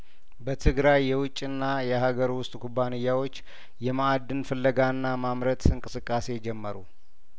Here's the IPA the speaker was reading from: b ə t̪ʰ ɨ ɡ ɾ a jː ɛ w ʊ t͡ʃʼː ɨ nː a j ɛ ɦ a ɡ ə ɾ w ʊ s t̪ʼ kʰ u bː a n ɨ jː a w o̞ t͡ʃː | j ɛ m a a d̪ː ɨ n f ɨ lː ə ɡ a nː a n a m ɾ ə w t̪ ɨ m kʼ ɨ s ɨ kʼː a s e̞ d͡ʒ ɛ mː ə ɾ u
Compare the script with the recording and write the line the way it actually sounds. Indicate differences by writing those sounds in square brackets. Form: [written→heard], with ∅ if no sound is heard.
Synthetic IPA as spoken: b ə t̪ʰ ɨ ɡ ɾ a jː ɛ w ʊ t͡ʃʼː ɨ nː a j ɛ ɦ a ɡ ə ɾ w ʊ s t̪ʼ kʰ u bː a n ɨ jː a w o̞ t͡ʃː | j ɛ m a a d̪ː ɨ n f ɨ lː ə ɡ a nː a [n→m] a m ɾ ə [w→∅] t̪ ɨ [m→ŋ] kʼ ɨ s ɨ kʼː a s e̞ d͡ʒ ɛ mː ə ɾ u